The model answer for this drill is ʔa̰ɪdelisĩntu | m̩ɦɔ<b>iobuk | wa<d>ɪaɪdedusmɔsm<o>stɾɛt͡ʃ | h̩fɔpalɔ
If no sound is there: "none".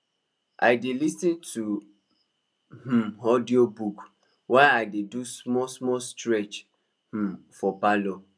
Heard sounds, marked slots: d, none, ɔ

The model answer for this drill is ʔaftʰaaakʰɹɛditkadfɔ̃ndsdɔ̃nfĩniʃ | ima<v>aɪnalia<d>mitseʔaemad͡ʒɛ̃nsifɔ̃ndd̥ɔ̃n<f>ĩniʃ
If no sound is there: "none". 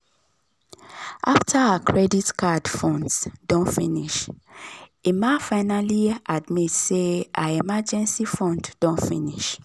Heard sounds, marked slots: f, d, f

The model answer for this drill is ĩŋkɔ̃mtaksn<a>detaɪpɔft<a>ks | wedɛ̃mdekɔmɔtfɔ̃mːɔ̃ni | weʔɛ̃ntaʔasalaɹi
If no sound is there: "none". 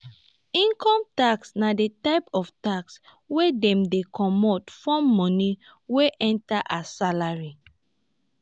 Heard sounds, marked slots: a, a

